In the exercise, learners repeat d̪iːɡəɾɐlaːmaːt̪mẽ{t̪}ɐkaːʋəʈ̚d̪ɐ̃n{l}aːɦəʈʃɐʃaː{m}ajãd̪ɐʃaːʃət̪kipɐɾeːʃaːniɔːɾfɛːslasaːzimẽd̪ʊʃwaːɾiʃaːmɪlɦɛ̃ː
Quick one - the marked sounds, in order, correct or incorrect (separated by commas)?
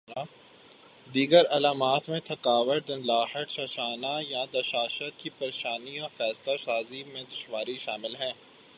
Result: incorrect, correct, incorrect